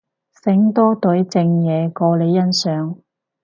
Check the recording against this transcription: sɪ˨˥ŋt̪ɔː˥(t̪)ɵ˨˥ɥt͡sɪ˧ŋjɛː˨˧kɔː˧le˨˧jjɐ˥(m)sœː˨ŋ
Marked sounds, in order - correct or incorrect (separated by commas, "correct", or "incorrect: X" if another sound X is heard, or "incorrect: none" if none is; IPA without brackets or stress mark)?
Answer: correct, incorrect: n